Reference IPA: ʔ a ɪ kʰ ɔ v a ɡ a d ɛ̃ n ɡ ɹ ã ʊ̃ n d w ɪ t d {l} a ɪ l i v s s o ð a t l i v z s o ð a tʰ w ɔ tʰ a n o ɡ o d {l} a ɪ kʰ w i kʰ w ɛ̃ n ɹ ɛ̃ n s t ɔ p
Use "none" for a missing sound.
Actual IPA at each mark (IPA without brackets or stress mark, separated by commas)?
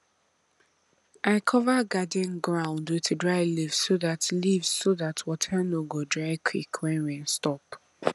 ɹ, ɹ